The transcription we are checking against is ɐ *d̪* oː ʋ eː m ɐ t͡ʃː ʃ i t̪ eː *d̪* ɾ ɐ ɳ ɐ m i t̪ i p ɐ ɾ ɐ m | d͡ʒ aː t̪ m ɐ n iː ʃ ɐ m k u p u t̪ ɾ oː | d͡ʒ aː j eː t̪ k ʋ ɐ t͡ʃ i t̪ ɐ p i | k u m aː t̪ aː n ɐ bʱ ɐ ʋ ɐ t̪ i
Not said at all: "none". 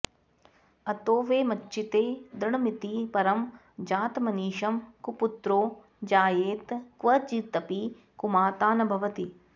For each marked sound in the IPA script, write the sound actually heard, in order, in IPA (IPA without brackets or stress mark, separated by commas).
t̪, d̪